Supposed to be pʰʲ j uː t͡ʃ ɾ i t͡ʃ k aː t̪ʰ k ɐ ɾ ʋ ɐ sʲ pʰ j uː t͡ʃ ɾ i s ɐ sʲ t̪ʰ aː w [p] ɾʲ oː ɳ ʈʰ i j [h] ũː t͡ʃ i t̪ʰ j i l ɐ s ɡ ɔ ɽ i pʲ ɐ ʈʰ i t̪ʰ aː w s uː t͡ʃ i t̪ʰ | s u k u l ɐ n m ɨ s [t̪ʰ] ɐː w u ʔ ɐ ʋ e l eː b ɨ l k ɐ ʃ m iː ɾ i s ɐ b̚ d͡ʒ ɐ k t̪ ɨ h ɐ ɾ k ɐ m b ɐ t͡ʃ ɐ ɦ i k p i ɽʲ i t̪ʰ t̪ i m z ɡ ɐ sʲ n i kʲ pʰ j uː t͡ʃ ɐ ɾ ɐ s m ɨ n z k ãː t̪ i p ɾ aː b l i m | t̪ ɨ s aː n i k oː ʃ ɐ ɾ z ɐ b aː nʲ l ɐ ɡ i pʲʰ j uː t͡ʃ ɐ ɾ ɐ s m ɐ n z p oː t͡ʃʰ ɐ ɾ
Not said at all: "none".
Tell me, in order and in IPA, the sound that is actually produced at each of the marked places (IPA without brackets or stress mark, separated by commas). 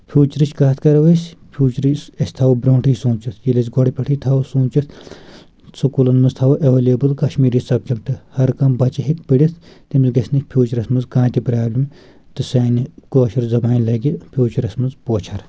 b, s, t̪ʰ